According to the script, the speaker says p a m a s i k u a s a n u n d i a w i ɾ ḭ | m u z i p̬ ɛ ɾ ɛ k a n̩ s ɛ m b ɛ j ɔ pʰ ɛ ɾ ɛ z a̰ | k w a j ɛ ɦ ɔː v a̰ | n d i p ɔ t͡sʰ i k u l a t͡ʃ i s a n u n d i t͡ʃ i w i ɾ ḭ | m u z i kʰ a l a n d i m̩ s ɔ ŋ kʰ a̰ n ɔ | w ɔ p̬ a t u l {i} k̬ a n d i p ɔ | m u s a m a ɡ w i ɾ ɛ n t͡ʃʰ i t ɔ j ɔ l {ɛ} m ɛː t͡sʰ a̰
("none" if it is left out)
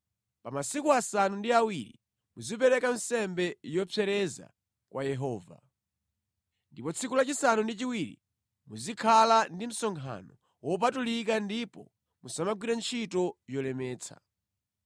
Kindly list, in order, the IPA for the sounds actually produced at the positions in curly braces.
i, ɛ

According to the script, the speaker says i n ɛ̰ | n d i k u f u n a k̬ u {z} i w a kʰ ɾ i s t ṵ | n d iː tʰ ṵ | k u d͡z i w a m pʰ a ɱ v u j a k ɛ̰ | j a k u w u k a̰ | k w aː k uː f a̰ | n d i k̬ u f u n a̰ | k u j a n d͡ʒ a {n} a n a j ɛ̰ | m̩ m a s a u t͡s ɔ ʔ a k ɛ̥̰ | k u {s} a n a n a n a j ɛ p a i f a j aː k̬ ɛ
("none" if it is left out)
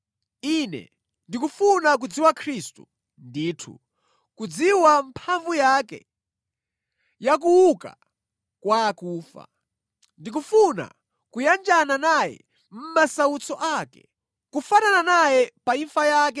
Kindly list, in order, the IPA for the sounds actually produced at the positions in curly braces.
d͡z, n, f

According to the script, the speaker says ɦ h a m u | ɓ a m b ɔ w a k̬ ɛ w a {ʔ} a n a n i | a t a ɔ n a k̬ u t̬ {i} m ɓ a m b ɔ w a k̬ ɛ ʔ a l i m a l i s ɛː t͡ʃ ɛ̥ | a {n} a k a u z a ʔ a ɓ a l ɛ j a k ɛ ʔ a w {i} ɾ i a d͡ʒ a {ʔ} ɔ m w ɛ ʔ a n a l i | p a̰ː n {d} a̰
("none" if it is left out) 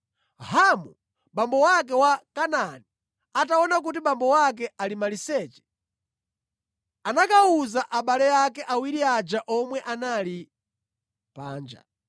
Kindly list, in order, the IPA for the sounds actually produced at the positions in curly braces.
k, i, n, i, ʔ, d͡ʒ

